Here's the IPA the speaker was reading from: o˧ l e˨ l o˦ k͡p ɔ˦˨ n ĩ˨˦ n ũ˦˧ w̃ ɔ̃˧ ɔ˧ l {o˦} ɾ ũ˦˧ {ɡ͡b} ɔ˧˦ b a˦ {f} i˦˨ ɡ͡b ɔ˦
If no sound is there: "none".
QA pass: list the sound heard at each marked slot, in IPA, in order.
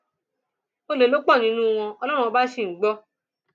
ɔ˦, none, ʃ

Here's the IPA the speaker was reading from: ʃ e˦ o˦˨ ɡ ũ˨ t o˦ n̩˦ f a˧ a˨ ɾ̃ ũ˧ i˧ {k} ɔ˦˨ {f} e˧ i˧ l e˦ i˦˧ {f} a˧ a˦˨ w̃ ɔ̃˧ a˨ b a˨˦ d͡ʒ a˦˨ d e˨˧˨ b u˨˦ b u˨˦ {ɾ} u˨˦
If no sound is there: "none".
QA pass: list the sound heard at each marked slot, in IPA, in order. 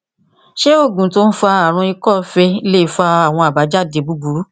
k, f, f, ɾ

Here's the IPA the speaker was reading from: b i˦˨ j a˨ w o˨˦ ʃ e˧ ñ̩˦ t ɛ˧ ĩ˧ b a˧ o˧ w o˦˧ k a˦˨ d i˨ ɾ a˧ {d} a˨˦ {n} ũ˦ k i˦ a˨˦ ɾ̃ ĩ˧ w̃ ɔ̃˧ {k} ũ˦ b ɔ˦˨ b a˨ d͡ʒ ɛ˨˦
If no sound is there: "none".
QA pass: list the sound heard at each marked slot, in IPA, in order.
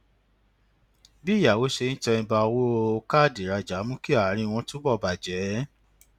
d͡ʒ, m, t

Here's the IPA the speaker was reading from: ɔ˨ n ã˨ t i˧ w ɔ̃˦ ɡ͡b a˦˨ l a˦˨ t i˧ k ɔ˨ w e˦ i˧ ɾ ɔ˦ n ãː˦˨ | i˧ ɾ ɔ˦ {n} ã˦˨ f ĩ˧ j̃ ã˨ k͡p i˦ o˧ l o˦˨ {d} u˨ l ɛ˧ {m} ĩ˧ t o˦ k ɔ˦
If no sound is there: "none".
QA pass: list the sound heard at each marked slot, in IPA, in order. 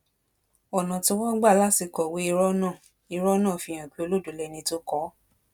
n, d, n

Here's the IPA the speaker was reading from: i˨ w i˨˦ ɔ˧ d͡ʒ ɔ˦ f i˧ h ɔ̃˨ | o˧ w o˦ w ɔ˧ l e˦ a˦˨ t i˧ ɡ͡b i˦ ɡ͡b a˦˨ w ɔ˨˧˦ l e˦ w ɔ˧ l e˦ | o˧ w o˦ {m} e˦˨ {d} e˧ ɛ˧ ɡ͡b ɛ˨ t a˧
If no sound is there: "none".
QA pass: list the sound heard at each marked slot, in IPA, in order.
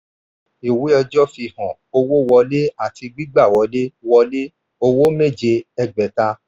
m, d͡ʒ

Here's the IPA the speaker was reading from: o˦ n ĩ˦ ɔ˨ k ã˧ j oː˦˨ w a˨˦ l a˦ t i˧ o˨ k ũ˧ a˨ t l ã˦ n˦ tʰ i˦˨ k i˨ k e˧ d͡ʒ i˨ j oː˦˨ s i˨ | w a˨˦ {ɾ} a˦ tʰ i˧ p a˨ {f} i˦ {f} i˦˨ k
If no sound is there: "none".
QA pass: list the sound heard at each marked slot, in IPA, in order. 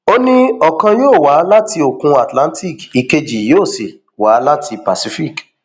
l, s, f

